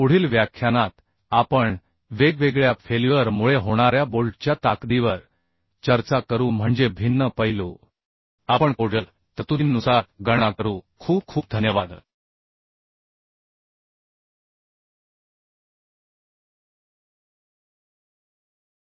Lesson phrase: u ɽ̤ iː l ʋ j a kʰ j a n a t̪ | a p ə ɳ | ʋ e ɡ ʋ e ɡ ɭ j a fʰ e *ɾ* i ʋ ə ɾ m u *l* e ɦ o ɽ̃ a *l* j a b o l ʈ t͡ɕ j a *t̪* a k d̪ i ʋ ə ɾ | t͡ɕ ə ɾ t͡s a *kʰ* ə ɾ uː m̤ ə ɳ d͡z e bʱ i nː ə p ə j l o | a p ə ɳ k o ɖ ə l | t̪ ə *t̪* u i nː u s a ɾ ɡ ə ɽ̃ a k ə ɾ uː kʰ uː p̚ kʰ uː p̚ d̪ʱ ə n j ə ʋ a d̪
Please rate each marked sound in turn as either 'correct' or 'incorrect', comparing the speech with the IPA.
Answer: incorrect, incorrect, incorrect, correct, incorrect, correct

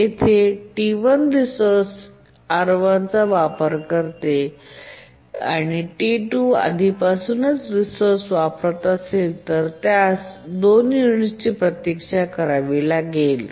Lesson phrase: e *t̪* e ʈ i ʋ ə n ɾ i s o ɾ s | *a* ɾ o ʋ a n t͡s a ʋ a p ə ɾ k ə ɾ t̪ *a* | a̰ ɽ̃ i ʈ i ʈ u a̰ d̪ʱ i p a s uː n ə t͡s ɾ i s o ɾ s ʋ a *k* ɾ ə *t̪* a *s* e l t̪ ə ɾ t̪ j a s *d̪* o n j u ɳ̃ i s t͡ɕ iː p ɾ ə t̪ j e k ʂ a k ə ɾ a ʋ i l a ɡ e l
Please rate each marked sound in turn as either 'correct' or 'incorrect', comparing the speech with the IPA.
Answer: incorrect, correct, incorrect, incorrect, correct, correct, correct

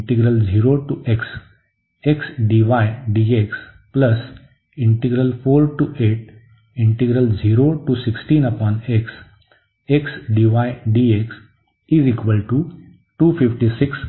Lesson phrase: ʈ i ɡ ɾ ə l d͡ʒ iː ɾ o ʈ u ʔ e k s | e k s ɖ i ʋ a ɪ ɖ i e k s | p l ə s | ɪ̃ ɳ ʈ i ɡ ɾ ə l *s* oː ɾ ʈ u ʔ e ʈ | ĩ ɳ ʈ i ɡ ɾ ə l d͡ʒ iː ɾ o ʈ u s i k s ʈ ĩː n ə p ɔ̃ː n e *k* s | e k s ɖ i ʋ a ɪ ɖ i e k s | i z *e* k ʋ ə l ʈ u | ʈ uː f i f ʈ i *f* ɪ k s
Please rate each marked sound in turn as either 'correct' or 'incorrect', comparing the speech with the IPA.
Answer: incorrect, correct, incorrect, incorrect

